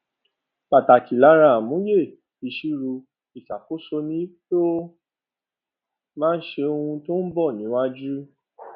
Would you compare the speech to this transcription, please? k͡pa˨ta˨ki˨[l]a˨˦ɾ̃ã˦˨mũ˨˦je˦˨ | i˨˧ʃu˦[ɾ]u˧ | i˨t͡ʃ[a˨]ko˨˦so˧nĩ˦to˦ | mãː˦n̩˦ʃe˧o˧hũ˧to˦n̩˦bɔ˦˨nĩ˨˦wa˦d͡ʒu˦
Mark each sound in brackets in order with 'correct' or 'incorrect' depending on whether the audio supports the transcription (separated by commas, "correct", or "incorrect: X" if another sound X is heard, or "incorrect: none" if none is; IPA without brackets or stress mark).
correct, correct, correct